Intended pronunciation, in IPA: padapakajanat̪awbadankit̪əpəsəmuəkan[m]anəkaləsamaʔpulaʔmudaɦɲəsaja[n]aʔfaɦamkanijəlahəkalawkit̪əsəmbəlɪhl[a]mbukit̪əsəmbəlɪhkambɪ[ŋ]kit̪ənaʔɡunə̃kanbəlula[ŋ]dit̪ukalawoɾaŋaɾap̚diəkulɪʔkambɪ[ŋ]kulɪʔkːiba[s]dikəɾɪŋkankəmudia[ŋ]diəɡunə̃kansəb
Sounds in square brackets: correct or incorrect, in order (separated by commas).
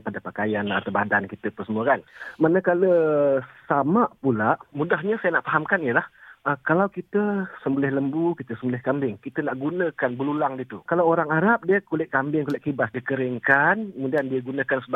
correct, correct, incorrect, correct, correct, correct, correct, incorrect